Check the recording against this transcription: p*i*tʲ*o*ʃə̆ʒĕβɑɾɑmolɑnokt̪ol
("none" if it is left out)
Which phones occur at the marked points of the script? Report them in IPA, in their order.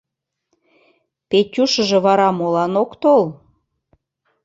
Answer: e, u

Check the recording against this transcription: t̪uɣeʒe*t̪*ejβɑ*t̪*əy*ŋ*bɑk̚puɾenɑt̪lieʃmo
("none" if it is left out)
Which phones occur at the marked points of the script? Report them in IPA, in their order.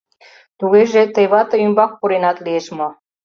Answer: t̪, t̪, m

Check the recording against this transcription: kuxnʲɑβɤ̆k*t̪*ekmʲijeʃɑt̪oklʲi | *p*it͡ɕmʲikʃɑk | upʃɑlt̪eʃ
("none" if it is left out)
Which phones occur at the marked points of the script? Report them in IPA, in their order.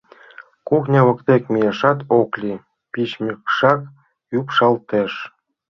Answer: t̪, p

